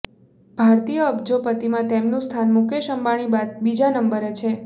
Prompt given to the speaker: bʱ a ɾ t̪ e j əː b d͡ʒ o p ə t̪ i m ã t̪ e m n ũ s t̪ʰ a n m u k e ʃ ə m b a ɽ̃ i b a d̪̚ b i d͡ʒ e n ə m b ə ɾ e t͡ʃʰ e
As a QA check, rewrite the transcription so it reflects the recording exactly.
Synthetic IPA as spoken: bʱ a ɾ t̪ i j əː b d͡ʒ o p ə t̪ i m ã t̪ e m n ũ s t̪ʰ a n m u k e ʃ ə m b a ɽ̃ i b a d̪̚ b i d͡ʒ a n ə m b ə ɾ e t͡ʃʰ e